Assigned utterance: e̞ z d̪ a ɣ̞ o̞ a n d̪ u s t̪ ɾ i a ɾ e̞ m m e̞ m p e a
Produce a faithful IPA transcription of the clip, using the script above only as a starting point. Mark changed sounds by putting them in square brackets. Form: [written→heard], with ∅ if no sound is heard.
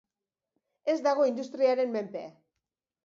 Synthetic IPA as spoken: e̞ z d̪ a ɣ̞ o̞ [a→i] n d̪ u s t̪ ɾ i a ɾ e̞ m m e̞ m p e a